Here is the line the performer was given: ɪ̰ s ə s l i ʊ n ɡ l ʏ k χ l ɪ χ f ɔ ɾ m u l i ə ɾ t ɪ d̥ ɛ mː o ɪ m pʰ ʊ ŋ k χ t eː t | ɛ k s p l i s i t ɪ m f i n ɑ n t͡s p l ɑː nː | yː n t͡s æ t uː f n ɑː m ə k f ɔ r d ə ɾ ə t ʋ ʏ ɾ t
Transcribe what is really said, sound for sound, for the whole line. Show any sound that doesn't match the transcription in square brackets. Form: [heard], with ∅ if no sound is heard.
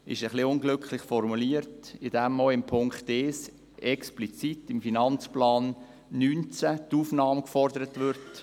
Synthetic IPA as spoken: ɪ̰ [ʃ] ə [χ] l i ʊ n ɡ l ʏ k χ l ɪ χ f ɔ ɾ m u l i ə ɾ t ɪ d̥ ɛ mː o ɪ m pʰ ʊ ŋ k χ t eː [s] | ɛ k s p l i [t͡s] i t ɪ m f i n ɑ n t͡s p l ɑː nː | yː n t͡s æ t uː f n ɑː m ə k f ɔ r d ə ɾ ə t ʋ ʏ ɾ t